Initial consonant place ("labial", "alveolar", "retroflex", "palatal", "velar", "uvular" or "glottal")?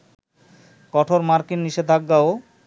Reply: velar